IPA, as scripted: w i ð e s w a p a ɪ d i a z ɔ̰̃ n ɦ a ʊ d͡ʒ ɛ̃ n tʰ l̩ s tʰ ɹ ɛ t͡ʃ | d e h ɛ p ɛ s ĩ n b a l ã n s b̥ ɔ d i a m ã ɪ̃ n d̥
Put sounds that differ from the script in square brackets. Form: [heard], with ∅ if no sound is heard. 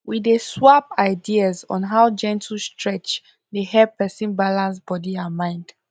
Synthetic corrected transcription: w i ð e s w a p a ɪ d i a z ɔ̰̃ n ɦ a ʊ d͡ʒ ɛ̃ n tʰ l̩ s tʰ ɹ ɛ t͡ʃ | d e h ɛ p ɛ s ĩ n b a l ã n s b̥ ɔ d i a m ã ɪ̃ n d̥